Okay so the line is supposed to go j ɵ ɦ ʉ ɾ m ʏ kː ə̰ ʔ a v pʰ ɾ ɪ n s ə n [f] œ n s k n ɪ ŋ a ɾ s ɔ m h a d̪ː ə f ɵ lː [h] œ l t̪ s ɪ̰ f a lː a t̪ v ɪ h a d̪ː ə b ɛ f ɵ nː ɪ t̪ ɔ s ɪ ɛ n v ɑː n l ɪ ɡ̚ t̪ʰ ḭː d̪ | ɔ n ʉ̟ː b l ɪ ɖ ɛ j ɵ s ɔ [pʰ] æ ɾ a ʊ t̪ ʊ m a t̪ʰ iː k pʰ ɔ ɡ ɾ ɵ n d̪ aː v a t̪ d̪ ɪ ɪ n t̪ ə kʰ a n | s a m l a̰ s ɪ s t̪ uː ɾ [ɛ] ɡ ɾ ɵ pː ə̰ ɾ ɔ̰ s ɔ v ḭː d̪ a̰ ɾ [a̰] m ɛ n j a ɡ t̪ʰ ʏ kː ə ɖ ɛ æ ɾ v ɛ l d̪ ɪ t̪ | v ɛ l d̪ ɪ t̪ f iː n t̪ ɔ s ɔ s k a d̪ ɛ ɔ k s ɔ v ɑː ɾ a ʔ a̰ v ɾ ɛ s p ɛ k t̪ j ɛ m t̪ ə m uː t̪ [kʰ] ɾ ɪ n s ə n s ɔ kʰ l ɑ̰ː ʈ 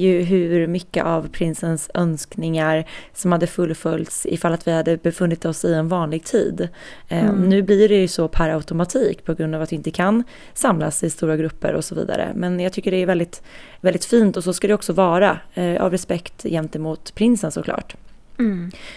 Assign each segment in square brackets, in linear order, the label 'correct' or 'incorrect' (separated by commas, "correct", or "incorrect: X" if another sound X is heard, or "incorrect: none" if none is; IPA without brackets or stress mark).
incorrect: s, incorrect: f, correct, incorrect: a, incorrect: ə̰, incorrect: pʰ